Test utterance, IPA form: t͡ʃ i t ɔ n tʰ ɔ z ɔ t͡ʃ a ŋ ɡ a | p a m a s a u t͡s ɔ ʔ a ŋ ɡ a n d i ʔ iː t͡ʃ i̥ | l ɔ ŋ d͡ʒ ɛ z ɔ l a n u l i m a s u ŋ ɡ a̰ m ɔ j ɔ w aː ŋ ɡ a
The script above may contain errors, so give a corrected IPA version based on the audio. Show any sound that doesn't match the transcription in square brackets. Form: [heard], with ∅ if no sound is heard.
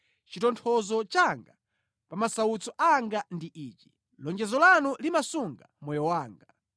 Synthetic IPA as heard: t͡ʃ i t ɔ n tʰ ɔ z ɔ t͡ʃ a ŋ ɡ a | p a m a s a u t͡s ɔ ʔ a ŋ ɡ a n d i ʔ iː t͡ʃ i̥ | l ɔ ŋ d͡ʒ ɛ z ɔ l a n u l i m a s u ŋ ɡ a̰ m ɔ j ɔ w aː ŋ ɡ a